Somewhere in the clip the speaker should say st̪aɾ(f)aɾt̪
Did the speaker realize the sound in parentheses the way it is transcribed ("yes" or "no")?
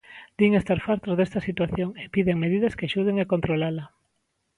yes